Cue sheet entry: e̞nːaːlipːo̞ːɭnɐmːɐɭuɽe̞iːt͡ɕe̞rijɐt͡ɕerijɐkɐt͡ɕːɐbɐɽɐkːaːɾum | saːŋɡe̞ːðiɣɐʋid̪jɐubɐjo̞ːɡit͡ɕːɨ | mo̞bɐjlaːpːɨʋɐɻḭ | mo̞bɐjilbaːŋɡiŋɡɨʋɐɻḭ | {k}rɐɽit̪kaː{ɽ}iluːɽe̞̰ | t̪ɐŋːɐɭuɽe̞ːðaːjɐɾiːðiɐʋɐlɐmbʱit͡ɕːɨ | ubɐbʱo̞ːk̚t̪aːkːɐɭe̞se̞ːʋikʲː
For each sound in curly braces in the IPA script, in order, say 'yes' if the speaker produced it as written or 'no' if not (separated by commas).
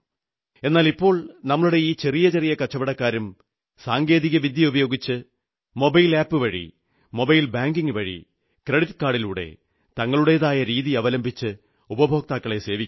yes, yes